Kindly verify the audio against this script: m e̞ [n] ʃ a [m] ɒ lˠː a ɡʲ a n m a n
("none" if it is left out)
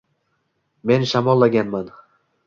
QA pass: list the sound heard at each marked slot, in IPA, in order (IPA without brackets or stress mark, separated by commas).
n, m